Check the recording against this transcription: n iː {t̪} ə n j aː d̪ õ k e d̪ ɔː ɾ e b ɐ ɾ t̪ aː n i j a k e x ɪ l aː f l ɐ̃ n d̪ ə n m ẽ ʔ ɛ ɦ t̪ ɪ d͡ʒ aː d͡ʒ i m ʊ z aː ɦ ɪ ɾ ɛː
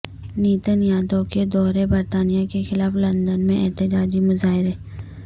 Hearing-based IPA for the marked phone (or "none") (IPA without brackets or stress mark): t̪